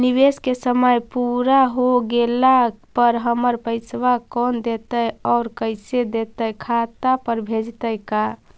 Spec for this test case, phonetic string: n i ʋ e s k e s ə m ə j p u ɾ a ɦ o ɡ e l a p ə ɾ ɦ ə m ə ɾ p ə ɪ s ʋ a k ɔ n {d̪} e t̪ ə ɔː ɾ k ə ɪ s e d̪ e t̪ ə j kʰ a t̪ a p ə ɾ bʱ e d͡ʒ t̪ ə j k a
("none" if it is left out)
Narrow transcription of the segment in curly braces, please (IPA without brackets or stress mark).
d̪